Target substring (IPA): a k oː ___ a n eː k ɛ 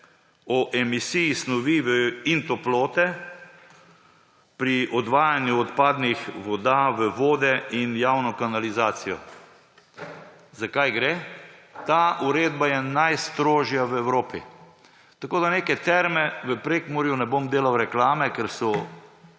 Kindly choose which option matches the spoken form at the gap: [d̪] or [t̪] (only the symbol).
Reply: d̪